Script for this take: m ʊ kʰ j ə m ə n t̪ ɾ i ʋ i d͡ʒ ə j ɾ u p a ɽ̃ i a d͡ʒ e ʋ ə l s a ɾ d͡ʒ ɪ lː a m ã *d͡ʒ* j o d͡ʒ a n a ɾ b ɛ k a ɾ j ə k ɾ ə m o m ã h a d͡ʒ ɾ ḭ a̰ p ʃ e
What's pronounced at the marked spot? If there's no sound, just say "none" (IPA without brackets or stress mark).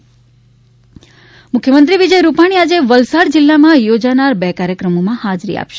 none